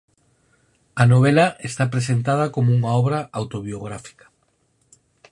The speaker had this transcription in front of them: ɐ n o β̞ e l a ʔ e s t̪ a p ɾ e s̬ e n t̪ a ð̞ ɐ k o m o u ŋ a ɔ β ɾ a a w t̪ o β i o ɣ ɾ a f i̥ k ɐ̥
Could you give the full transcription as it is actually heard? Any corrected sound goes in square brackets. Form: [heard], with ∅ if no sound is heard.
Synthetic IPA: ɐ n o β̞ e l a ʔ e s t̪ a p ɾ e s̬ e n t̪ a ð̞ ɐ k o m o u ŋ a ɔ β ɾ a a w t̪ o β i o ɣ ɾ a f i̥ k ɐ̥